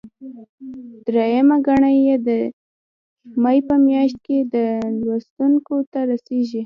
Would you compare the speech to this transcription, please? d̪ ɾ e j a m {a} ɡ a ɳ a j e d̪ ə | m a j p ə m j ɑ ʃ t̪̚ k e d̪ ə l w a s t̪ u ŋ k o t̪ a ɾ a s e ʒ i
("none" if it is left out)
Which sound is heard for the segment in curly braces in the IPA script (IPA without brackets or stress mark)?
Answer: a